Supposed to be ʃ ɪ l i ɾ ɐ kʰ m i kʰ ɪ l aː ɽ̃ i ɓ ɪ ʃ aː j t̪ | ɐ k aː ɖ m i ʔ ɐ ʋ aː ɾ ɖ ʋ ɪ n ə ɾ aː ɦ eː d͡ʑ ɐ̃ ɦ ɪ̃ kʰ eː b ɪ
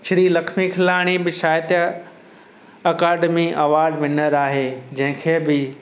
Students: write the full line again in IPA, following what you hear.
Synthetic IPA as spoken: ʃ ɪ ɾ i l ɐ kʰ m i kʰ ɪ l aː ɽ̃ i b ɪ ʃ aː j t̪ | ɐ k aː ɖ m i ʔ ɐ ʋ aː ɾ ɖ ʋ ɪ n ə ɾ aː ɦ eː d͡ʑ ɐ̃ ɦ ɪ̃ kʰ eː b ɪ